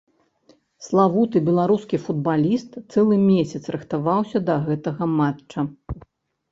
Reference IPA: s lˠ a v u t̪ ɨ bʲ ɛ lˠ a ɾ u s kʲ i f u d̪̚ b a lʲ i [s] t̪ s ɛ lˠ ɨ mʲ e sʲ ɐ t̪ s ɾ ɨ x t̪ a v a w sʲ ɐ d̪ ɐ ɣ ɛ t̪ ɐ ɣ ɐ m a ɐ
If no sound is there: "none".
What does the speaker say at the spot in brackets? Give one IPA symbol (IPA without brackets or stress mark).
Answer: s